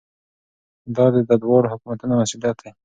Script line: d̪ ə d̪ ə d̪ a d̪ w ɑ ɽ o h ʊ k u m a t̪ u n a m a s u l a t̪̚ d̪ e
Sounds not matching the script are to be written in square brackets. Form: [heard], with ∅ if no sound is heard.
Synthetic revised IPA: d̪ [ɑ] d̪ ə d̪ a d̪ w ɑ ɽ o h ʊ k u m a t̪ u n a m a s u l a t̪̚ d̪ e